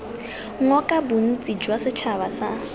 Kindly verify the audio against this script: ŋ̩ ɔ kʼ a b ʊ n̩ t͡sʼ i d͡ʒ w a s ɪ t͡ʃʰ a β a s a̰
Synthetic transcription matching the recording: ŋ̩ ɔ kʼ a b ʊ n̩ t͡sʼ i d͡ʒ w a s ɪ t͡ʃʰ a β a s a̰